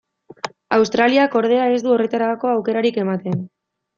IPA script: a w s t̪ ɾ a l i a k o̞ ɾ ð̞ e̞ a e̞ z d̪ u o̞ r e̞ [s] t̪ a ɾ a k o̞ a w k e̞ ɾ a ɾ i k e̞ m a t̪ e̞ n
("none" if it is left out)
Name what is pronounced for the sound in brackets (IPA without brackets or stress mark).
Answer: none